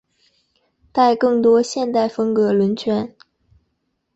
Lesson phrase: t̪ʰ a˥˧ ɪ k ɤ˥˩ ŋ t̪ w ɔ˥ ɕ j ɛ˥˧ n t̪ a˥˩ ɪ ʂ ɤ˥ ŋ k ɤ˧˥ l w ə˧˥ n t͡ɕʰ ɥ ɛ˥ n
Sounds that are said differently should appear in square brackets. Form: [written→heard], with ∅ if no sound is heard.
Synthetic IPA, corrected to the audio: [t̪ʰ→t̪] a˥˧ ɪ k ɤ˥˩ ŋ t̪ w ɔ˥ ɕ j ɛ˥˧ n t̪ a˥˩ ɪ [ʂ→f] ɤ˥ ŋ k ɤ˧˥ l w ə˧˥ n t͡ɕʰ ɥ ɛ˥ n